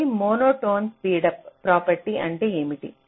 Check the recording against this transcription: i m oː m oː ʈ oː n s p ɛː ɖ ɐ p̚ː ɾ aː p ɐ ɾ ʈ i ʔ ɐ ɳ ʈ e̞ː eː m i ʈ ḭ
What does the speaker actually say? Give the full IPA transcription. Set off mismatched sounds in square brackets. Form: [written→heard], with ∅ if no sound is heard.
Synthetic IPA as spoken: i m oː [m→n] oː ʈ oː n s p [ɛː→iː] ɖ ɐ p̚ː ɾ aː p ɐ ɾ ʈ i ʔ ɐ ɳ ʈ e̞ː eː m i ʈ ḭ